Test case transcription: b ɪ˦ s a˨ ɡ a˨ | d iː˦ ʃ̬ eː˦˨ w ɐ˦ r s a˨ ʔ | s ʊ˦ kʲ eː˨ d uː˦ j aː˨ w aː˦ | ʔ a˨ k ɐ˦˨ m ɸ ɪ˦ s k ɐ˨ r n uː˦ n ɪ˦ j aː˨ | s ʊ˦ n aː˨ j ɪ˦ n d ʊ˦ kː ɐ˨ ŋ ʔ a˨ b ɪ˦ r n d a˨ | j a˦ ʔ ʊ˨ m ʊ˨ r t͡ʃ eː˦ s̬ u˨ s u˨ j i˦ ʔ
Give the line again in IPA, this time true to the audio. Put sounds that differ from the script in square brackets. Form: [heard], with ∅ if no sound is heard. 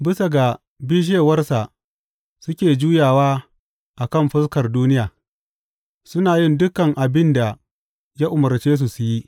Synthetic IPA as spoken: b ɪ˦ s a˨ ɡ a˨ | [b] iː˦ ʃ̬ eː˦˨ w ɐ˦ r s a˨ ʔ | s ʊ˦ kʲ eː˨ [d͡ʒ] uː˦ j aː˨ w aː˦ | ʔ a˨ k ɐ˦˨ m ɸ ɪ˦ s k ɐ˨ r [d] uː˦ n ɪ˦ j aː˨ | s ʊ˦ n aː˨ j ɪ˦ n d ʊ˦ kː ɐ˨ ŋ ʔ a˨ b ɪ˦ [∅] n d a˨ | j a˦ ʔ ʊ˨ m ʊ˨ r t͡ʃ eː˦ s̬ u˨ s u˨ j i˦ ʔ

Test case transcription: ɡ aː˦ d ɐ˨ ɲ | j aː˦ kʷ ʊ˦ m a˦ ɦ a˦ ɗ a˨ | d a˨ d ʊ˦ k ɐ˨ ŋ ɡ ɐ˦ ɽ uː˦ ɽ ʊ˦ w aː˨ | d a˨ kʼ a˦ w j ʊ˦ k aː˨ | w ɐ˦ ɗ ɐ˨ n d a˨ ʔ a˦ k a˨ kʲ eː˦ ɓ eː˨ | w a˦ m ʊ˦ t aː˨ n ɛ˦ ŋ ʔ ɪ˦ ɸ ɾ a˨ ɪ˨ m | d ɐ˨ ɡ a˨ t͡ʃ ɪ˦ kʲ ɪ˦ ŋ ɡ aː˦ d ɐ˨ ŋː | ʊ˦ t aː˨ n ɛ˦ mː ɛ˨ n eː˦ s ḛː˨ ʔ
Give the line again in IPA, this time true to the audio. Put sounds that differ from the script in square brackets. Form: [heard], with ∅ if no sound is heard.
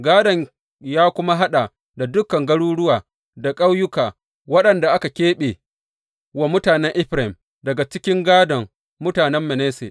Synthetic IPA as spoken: ɡ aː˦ d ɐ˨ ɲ | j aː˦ kʷ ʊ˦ m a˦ ɦ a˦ ɗ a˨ | d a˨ d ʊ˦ k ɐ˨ ŋ ɡ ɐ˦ ɽ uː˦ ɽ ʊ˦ w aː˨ | d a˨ kʼ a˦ w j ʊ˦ k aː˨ | w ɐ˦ ɗ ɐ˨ n d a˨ ʔ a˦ k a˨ kʲ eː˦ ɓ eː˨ | w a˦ m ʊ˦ t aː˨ n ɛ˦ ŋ ʔ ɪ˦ ɸ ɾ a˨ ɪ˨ m | d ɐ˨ ɡ a˨ t͡ʃ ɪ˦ kʲ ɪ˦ ŋ ɡ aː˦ d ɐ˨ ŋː | ʊ˦ t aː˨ n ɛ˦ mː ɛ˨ n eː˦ s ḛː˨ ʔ

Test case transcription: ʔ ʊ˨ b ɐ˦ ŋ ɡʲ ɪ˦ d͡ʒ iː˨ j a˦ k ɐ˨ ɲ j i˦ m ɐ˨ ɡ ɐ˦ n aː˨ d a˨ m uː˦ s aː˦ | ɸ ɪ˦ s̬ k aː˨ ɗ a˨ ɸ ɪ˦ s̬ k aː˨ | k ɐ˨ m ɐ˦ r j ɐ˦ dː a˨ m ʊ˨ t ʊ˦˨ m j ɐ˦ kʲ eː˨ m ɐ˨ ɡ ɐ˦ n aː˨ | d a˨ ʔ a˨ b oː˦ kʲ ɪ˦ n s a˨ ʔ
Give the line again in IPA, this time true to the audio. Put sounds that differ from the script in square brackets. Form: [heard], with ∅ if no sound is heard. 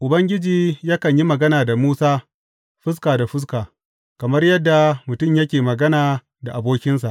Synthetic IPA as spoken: ʔ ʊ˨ b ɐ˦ ŋ ɡʲ ɪ˦ d͡ʒ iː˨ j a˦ k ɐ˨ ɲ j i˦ m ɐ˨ ɡ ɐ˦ n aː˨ d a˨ m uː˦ s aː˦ | ɸ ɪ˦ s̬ k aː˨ [d] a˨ ɸ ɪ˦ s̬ k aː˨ | k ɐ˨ m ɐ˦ r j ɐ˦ dː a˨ m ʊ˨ t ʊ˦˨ m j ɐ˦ kʲ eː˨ m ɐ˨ ɡ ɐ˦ n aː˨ | d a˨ ʔ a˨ b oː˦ kʲ ɪ˦ n s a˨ ʔ

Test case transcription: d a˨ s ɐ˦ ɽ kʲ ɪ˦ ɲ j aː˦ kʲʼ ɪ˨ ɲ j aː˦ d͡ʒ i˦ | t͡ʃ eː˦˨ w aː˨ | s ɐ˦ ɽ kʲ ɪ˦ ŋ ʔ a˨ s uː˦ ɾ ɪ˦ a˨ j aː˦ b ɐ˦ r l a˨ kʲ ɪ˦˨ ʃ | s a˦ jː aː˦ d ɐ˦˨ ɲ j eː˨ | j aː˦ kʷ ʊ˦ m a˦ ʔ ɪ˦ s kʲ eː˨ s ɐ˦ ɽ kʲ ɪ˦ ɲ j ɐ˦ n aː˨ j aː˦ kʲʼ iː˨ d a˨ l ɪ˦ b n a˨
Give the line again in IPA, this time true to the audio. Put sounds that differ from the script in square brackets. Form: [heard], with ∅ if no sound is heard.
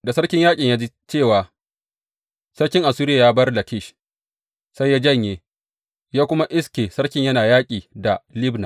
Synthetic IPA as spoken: d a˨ s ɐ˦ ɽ kʲ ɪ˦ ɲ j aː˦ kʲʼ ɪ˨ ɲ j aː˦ d͡ʒ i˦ | t͡ʃ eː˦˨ w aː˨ | s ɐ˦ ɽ kʲ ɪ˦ ŋ ʔ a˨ s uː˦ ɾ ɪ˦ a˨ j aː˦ b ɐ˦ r l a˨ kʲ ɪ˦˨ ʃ | s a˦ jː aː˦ [d͡ʒ] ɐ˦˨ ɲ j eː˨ | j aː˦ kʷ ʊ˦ m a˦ ʔ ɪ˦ s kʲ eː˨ s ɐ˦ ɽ kʲ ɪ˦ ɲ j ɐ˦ n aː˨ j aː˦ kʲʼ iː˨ d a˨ l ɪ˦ b n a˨

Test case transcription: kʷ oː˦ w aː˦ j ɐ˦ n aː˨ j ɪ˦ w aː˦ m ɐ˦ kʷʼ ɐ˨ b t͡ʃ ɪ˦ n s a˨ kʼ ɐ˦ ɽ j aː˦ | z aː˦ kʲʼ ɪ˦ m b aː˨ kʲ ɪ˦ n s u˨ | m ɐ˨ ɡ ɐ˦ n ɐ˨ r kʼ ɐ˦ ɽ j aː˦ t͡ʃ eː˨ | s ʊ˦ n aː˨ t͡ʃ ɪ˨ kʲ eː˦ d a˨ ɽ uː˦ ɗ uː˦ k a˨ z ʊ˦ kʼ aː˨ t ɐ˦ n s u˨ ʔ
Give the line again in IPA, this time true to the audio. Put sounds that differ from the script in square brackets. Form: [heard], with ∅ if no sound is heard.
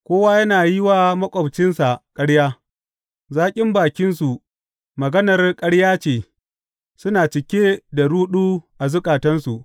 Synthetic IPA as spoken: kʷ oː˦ w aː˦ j ɐ˦ n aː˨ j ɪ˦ w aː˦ m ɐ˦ kʷʼ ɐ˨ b t͡ʃ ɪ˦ n s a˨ kʼ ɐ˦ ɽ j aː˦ | z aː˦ kʲʼ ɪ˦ m b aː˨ kʲ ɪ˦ n s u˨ | m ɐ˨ ɡ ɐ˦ n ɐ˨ r kʼ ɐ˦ ɽ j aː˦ t͡ʃ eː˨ | s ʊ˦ n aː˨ t͡ʃ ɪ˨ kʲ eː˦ d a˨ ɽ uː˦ ɗ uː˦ [ʔ] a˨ z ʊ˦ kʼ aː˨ t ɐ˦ n s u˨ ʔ

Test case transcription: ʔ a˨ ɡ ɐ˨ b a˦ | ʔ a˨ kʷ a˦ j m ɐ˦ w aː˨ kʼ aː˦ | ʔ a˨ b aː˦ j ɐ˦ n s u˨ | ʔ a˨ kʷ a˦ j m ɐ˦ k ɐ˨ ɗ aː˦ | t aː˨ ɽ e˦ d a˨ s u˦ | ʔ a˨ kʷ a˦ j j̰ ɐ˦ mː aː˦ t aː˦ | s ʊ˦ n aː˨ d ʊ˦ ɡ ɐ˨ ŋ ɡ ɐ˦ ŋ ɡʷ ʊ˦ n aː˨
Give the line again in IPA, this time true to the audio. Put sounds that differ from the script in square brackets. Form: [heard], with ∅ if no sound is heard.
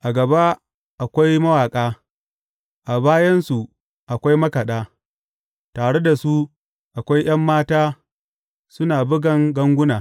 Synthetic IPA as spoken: ʔ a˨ ɡ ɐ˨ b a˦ | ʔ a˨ kʷ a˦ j m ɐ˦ w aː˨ kʼ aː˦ | ʔ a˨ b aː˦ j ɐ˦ n s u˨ | ʔ a˨ kʷ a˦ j m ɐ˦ k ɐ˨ ɗ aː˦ | t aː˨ ɽ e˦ d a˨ s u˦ | ʔ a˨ kʷ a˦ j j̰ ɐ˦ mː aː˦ t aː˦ | s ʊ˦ n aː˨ [b] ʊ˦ ɡ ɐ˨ ŋ ɡ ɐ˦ ŋ ɡʷ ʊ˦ n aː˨

